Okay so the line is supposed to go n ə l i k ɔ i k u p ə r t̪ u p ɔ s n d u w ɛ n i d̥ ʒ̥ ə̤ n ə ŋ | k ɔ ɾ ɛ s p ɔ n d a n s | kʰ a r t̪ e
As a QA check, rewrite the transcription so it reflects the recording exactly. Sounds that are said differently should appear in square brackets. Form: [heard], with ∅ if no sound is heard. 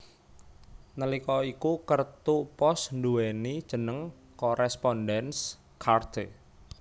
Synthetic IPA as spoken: n ə l i k ɔ i k u [k] ə r t̪ u p ɔ s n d u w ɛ n i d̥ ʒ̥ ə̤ n ə ŋ | k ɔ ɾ ɛ s p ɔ n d [ɛ] n s | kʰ a r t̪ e